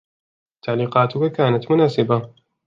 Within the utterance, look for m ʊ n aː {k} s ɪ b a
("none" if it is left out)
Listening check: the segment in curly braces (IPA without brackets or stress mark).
none